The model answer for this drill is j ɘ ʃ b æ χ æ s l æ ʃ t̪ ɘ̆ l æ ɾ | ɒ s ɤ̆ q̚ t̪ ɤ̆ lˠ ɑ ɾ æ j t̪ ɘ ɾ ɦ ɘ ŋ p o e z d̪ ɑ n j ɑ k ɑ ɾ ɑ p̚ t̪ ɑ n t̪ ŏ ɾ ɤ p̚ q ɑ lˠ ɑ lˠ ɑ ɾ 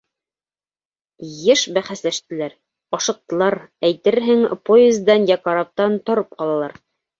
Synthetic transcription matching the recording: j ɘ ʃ b æ χ æ s l æ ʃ t̪ ɘ̆ l æ ɾ | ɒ ʃ ɤ̆ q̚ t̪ ɤ̆ lˠ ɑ ɾ æ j t̪ ɘ ɾ ɦ ɘ ŋ p o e z d̪ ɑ n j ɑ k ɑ ɾ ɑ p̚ t̪ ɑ n t̪ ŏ ɾ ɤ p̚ q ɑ lˠ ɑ lˠ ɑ ɾ

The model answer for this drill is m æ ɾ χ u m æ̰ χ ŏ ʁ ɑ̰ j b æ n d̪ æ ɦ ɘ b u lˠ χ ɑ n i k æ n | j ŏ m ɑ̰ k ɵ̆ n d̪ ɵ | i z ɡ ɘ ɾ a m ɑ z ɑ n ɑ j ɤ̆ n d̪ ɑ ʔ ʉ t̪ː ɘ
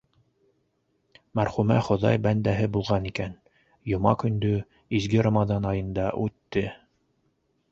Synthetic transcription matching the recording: m æ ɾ χ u m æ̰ χ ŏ ð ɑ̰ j b æ n d̪ æ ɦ ɘ b u lˠ ʁ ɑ n i k æ n | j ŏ m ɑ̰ k ɵ̆ n d̪ ɵ | i z ɡ ɘ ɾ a m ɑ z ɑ n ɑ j ɤ̆ n d̪ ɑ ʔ ʉ t̪ː ɘ

